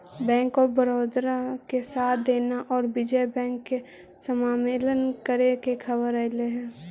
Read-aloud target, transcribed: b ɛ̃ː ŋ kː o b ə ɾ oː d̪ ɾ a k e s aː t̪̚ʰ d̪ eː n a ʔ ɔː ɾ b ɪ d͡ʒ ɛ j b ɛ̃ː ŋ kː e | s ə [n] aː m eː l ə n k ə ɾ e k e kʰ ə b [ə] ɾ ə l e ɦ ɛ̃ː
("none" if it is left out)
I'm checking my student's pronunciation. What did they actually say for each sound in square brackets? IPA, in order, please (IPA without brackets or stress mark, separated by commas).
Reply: m, ə